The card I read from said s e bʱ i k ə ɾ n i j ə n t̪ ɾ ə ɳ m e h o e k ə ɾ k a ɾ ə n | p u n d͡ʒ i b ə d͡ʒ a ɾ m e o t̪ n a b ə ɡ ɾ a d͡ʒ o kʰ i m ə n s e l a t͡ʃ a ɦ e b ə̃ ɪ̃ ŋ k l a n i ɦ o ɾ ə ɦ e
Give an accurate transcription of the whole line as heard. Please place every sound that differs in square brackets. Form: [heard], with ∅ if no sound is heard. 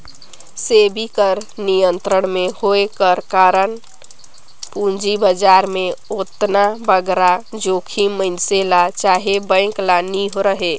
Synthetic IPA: s e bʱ i k ə ɾ n i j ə n t̪ ɾ ə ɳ m e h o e k ə ɾ k a ɾ ə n | p u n d͡ʒ i b ə d͡ʒ a ɾ m e o t̪ n a b ə ɡ ɾ a d͡ʒ o kʰ i m ə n s e l a t͡ʃ a ɦ e b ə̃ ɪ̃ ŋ k l a n i ɦ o ɾ ə ɦ e